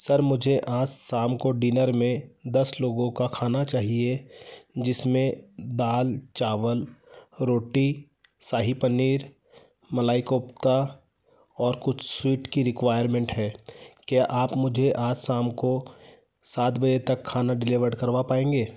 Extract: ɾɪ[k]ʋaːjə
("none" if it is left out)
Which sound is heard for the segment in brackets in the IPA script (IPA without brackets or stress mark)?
k